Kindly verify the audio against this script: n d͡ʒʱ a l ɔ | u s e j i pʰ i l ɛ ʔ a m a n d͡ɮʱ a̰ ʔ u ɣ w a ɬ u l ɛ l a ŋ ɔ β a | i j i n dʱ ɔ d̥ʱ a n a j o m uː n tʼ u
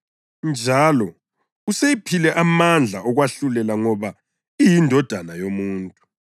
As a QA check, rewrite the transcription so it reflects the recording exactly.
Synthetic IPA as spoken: n d͡ʒʱ a l ɔ | u s e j i pʰ i l ɛ ʔ a m a n d͡ɮʱ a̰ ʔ ɔ ɣ w a ɬ u l ɛ l a ŋ ɔ β a | i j i n dʱ ɔ d̥ʱ a n a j o m uː n tʼ u